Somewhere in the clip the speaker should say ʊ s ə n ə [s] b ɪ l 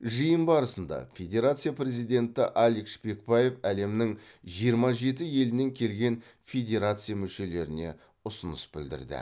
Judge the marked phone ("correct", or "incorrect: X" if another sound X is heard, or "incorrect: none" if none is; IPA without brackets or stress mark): correct